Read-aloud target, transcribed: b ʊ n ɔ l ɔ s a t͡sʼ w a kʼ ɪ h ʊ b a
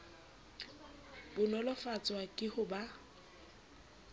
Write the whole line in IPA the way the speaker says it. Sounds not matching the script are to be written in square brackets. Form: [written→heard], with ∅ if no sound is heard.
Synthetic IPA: b ʊ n ɔ l ɔ [s→f] a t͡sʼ w a kʼ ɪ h ʊ b a

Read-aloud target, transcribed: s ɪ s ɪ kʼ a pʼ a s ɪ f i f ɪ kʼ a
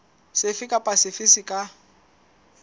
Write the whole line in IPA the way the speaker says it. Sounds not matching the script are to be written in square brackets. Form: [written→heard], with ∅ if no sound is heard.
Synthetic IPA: s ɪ [s→f] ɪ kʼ a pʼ a s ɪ f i [f→s] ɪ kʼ a

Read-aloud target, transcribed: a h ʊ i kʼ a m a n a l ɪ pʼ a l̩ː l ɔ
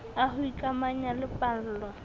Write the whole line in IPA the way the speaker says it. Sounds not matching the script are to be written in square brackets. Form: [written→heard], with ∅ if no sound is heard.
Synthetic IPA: a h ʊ i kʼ a m a [n→ɲ] a l ɪ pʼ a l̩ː l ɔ

